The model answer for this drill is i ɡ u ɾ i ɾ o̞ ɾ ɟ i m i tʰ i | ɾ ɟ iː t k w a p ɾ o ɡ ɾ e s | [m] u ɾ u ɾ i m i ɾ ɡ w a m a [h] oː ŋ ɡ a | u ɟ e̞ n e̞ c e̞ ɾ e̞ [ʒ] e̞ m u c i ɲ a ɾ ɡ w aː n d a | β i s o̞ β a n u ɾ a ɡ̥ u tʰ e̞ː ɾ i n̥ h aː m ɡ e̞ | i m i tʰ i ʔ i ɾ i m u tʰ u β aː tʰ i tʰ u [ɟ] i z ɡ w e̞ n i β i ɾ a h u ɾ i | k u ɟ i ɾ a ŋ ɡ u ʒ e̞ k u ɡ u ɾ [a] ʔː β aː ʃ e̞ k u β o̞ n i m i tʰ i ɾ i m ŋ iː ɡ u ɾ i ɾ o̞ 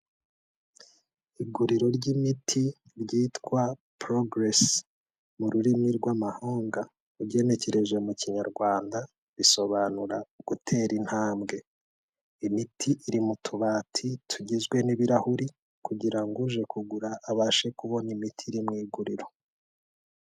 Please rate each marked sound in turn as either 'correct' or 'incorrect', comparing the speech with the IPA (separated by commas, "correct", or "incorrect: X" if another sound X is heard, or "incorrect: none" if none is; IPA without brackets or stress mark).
correct, correct, correct, correct, correct